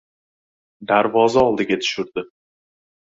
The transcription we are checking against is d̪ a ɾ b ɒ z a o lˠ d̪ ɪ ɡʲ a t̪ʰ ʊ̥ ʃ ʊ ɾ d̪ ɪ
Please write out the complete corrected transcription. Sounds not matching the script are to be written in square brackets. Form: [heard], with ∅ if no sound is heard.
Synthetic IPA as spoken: d̪ a ɾ [v] ɒ z a [ɒ] lˠ d̪ ɪ ɡʲ a t̪ʰ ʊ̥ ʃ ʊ ɾ d̪ ɪ